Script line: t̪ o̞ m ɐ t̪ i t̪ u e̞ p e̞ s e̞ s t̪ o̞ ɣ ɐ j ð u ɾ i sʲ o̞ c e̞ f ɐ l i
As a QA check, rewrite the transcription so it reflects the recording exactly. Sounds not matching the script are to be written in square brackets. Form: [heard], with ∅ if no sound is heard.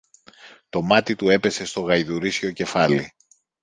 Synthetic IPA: t̪ o̞ m ɐ t̪ i t̪ u e̞ p e̞ s e̞ s t̪ o̞ ɣ ɐ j ð u ɾ i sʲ o̞ c e̞ f ɐ l i